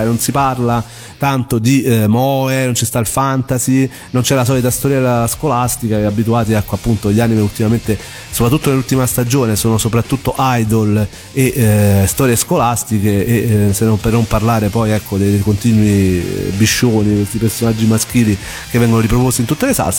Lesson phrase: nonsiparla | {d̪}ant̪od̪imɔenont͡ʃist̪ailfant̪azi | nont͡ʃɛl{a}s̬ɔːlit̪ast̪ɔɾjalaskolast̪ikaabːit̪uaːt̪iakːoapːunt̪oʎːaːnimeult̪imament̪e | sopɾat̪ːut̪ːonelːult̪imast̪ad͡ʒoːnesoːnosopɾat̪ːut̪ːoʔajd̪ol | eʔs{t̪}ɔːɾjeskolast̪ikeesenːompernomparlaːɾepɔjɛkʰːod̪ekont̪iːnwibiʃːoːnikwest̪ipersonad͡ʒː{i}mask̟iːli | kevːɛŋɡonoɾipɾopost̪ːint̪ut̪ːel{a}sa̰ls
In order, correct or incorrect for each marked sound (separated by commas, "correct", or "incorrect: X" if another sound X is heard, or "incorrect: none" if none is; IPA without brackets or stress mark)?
incorrect: t̪, correct, correct, correct, incorrect: e